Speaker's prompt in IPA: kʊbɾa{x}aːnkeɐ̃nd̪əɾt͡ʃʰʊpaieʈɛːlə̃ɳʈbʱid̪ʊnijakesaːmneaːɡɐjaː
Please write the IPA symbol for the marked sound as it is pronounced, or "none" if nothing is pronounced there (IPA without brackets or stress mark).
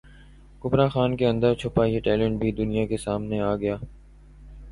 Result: x